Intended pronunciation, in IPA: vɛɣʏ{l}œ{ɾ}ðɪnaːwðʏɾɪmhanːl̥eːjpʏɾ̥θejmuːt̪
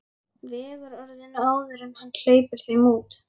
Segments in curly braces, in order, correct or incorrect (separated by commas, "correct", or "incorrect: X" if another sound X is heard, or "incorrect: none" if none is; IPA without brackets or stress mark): incorrect: ɾ, correct